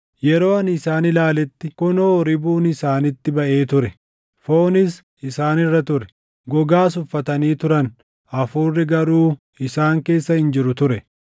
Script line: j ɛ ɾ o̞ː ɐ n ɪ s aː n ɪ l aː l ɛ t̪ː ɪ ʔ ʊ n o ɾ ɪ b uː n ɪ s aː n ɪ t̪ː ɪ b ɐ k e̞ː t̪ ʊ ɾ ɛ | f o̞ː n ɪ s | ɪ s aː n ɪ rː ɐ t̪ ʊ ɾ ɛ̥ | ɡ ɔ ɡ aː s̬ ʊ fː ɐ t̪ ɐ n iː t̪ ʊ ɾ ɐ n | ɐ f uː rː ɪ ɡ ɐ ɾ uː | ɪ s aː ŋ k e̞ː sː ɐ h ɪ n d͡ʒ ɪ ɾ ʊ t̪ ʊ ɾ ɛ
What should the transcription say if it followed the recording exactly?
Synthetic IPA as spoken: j ɛ ɾ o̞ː ɐ n ɪ s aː n ɪ l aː l ɛ t̪ː ɪ k ʊ n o ɾ ɪ b uː n ɪ s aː n ɪ t̪ː ɪ b ɐ ʔ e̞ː t̪ ʊ ɾ ɛ | f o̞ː n ɪ s | ɪ s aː n ɪ rː ɐ t̪ ʊ ɾ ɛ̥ | ɡ ɔ ɡ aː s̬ ʊ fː ɐ t̪ ɐ n iː t̪ ʊ ɾ ɐ n | ɐ f uː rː ɪ ɡ ɐ ɾ uː | ɪ s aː ŋ k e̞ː sː ɐ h ɪ n d͡ʒ ɪ ɾ ʊ t̪ ʊ ɾ ɛ